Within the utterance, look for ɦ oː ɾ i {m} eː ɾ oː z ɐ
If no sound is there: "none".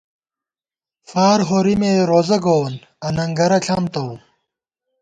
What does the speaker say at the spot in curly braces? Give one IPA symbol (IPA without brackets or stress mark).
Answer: m